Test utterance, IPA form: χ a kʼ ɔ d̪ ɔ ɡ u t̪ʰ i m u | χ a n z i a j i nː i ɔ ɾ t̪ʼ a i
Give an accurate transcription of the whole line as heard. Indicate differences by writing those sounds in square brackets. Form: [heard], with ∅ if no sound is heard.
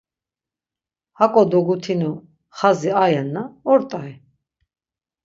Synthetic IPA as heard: [h] a kʼ ɔ d̪ ɔ ɡ u t̪ʰ i [n] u | χ a [∅] z i a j [ɛ] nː [a] ɔ ɾ t̪ʼ a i

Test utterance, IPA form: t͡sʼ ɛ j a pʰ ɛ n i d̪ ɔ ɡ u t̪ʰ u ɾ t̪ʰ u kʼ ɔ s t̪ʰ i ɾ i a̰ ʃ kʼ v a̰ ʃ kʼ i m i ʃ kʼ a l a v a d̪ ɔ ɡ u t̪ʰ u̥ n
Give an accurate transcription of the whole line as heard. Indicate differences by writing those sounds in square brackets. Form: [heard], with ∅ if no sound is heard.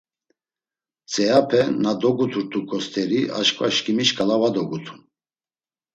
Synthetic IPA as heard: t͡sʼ ɛ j a pʰ ɛ n [a] d̪ ɔ ɡ u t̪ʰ u ɾ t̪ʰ u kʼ ɔ s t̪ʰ [ɛ] ɾ i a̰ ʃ kʼ v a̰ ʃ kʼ i m i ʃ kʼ a l a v a d̪ ɔ ɡ u t̪ʰ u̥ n

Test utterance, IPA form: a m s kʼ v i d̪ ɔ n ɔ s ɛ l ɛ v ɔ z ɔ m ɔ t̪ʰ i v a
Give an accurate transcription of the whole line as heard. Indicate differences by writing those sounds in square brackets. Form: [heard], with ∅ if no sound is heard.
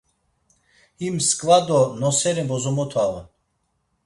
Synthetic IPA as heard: [i] m s kʼ v [a] d̪ ɔ n ɔ s ɛ [ɾ] ɛ [b] ɔ z ɔ m ɔ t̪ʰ [a] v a

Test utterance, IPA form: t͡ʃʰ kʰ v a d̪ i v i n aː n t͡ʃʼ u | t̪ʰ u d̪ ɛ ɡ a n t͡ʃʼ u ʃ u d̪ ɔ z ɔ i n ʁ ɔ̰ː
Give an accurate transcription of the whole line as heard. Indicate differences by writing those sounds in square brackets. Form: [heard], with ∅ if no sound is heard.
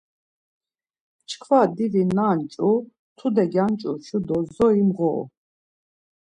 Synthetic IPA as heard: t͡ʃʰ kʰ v a d̪ i v i n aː n t͡ʃʼ u | t̪ʰ u d̪ ɛ ɡ a n t͡ʃʼ u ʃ u d̪ ɔ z ɔ i [m] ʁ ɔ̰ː

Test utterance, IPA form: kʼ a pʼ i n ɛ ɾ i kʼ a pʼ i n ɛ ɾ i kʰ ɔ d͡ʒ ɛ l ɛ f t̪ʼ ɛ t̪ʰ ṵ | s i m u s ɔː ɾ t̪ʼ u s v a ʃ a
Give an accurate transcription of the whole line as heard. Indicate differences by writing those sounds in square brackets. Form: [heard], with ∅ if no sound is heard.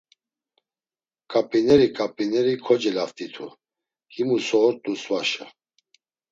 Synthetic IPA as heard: kʼ a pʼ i n ɛ ɾ i kʼ a pʼ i n ɛ ɾ i kʰ ɔ d͡ʒ ɛ l [a] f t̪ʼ [i] t̪ʰ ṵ | [h] i m u s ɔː ɾ t̪ʼ u s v a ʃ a

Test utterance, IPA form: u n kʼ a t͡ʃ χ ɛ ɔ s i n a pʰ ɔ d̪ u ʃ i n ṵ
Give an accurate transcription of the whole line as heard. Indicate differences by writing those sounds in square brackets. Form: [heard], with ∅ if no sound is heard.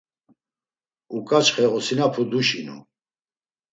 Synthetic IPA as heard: u [∅] kʼ a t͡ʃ χ ɛ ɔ s i n a pʰ [u] d̪ u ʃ i n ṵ

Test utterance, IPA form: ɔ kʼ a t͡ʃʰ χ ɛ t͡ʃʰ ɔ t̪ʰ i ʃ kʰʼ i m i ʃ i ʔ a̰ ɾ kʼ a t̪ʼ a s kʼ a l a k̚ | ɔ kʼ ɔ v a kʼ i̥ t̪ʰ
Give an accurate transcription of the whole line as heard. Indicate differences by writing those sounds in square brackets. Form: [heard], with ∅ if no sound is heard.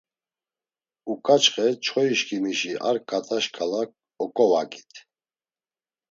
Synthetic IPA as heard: [u] kʼ a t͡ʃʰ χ ɛ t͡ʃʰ ɔ [∅] i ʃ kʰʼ i m i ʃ i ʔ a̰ ɾ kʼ a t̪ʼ a [ʃ] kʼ a l a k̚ | ɔ kʼ ɔ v a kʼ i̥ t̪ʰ

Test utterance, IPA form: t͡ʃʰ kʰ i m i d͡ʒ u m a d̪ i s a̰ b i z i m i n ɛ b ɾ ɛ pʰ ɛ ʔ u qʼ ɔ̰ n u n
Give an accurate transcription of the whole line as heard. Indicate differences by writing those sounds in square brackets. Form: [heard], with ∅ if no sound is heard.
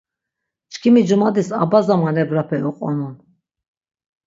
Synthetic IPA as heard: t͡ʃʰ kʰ i m i d͡ʒ u m a d̪ i s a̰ b [a] z [a] m [a] n ɛ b ɾ [a] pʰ ɛ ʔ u qʼ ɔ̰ n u n

